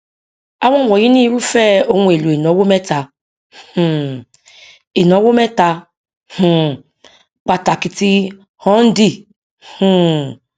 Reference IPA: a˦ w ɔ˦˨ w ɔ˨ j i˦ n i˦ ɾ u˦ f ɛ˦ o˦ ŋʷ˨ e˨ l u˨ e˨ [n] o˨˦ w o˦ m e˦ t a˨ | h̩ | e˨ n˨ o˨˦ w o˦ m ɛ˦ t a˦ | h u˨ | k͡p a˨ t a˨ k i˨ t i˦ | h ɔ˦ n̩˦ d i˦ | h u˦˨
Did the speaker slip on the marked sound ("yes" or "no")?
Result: no